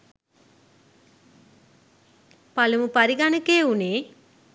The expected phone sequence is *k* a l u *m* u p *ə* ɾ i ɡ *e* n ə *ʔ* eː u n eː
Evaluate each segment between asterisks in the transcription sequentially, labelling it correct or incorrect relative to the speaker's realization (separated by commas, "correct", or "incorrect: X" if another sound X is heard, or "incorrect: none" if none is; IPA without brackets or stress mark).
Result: incorrect: p, correct, incorrect: a, incorrect: a, incorrect: k